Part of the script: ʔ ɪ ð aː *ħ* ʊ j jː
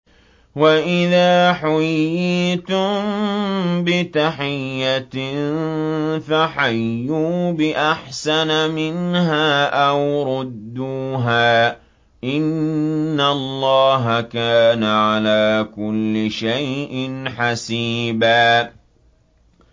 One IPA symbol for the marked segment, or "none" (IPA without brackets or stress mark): ħ